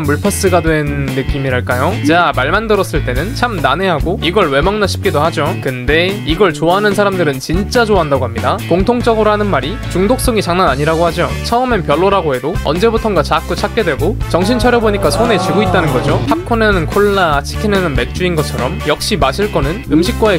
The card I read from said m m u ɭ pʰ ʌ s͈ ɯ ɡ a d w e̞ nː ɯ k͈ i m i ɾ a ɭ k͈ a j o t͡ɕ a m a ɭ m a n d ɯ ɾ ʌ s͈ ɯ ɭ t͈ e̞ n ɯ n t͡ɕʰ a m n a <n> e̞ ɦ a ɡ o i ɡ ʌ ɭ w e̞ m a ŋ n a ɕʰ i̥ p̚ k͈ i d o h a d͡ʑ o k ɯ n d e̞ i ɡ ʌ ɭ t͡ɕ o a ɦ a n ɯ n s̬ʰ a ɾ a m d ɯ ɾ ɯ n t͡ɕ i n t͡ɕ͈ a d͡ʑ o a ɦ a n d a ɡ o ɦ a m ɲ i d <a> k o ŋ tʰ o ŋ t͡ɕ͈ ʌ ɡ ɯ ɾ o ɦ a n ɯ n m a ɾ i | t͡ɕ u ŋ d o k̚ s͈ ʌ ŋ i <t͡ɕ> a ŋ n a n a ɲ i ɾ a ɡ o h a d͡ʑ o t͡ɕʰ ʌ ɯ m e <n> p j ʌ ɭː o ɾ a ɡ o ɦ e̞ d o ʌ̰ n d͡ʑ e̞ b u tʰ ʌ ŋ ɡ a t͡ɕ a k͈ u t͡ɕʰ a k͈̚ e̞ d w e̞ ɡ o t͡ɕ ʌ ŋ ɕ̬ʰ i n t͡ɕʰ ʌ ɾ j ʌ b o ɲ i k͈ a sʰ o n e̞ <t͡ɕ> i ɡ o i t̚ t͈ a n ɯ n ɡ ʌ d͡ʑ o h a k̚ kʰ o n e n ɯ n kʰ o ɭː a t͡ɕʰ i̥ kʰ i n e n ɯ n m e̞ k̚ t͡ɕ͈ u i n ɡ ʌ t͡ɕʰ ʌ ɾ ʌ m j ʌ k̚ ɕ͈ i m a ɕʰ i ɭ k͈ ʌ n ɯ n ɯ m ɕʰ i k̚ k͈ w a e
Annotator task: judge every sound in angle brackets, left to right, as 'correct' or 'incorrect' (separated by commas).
correct, correct, correct, correct, correct